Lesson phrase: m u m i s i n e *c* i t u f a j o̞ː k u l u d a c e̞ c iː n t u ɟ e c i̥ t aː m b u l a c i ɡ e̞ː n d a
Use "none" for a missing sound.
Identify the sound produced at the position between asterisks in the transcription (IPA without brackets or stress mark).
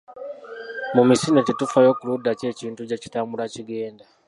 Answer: t